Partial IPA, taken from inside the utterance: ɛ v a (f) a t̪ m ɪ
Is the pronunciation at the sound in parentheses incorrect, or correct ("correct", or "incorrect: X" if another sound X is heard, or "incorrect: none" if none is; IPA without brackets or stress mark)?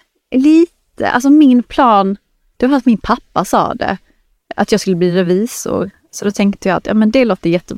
correct